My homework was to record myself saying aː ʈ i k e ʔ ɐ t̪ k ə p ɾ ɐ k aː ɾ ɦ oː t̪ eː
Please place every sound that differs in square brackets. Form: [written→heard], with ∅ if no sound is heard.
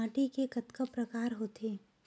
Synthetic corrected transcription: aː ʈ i k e [ʔ→k] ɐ t̪ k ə p ɾ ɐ k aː ɾ ɦ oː t̪ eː